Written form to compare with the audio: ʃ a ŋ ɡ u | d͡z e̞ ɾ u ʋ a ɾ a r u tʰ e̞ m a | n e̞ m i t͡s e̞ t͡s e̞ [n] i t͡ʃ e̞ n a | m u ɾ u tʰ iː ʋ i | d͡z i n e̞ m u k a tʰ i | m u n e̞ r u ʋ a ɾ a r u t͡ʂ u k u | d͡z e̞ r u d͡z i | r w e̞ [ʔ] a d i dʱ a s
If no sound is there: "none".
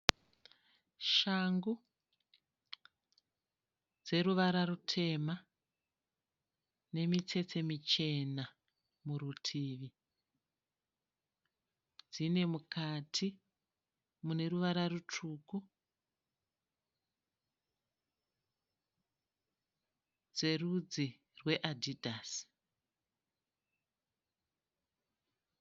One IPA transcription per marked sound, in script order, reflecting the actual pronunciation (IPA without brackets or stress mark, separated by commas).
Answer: m, ʔ